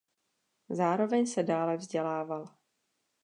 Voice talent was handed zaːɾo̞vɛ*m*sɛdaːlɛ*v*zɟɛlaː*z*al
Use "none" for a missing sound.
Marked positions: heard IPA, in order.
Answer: ɲ, v, v

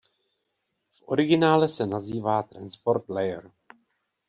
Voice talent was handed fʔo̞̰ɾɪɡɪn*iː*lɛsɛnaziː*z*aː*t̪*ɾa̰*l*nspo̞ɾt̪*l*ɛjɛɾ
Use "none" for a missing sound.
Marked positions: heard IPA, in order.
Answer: aː, v, t̪, none, l

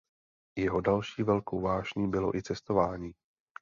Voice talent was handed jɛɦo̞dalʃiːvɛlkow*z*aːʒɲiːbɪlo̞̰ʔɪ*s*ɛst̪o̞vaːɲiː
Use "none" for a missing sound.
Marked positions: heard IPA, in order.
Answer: v, t͡s

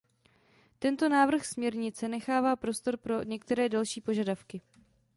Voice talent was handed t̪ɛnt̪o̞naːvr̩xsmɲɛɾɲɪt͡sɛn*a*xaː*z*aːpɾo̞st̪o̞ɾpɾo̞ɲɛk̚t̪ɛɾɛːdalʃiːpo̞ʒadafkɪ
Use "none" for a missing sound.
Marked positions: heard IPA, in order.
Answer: ɛ, v

